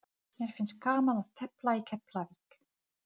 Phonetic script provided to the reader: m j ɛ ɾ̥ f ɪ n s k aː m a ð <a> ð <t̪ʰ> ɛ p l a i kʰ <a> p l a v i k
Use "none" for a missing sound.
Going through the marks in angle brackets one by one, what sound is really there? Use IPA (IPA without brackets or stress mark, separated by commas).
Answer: a, t̪ʰ, ɛ